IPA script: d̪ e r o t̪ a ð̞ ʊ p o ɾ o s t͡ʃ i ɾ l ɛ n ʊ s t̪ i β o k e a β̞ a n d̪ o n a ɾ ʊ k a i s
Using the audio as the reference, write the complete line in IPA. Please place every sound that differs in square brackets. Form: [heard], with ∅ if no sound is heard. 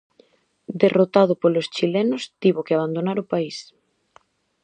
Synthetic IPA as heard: d̪ e r o t̪ a ð̞ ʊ p o [l] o s t͡ʃ i [∅] l ɛ n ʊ s t̪ i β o k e a β̞ a n d̪ o n a ɾ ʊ [p] a i s